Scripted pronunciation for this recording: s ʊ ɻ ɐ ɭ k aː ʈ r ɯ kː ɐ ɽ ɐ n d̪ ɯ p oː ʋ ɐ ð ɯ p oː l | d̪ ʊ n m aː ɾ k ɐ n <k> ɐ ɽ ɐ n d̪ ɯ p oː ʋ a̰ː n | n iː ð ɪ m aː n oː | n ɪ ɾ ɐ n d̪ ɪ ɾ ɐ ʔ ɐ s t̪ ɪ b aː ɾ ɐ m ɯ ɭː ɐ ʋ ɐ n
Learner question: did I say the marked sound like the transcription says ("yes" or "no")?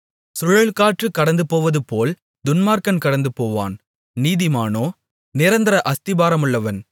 yes